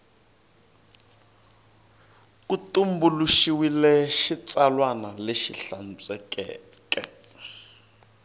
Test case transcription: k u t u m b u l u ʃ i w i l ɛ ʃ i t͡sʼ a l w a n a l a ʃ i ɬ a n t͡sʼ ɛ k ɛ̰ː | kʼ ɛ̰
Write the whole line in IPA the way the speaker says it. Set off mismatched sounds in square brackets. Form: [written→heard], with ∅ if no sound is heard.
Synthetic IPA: k u t u m b u l u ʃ i w i l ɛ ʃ i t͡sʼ a l w a n a l [a→e] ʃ i ɬ a n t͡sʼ ɛ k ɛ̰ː | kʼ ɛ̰